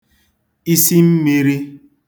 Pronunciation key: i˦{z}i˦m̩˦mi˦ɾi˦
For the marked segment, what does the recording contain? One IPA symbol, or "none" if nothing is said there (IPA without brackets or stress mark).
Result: s